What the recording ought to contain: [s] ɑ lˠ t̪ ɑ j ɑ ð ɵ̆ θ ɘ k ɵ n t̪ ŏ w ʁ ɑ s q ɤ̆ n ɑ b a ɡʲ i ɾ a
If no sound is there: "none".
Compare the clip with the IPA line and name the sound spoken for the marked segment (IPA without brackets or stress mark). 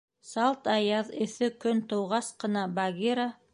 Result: s